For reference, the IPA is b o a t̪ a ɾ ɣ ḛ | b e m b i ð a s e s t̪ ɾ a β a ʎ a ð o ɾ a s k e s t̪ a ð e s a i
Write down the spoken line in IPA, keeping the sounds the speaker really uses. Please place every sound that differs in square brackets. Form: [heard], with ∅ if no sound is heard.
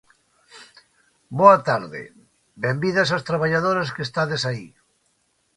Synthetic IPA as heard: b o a t̪ a ɾ [ð] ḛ | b e m b i ð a s [a] s t̪ ɾ a β a ʎ a ð o ɾ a s k e s t̪ a ð e s a i